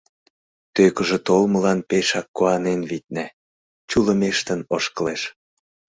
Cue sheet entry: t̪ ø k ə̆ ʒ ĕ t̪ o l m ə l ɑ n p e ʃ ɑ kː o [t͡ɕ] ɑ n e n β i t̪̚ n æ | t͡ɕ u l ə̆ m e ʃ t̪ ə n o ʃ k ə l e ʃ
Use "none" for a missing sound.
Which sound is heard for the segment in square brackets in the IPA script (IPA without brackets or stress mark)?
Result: none